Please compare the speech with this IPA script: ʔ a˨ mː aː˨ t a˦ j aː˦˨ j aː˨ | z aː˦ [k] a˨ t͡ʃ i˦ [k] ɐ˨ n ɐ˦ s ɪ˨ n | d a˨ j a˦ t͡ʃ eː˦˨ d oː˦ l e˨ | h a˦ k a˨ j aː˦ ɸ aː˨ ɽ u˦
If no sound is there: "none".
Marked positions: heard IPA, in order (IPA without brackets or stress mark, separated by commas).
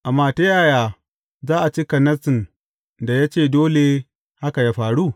ʔ, k